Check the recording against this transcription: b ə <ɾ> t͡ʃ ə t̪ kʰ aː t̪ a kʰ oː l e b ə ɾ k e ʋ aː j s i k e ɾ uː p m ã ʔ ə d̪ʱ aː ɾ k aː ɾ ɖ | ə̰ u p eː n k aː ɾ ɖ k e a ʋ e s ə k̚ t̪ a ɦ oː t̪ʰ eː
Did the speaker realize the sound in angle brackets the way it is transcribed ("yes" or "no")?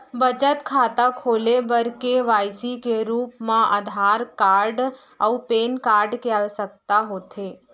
no